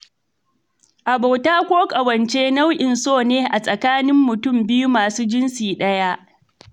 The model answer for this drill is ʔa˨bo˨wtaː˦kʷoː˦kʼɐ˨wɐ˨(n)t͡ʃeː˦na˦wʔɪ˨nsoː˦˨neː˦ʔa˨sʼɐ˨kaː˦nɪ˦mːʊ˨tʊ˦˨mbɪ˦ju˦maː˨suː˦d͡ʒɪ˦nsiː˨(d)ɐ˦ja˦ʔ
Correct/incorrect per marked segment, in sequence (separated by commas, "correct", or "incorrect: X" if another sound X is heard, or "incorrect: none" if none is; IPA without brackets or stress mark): correct, incorrect: ɗ